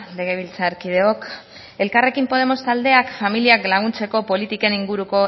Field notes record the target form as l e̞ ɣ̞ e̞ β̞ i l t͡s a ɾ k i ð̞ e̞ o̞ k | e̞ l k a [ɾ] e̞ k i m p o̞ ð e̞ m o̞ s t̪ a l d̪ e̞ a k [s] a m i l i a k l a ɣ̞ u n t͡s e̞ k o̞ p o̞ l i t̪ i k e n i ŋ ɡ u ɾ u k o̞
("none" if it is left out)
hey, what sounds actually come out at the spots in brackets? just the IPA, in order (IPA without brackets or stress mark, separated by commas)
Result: r, f